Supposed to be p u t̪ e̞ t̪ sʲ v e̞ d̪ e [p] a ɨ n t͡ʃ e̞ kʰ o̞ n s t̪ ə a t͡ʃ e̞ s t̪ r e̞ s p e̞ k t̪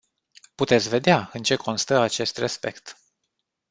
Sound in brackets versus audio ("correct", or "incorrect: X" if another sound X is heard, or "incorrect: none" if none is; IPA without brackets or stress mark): incorrect: none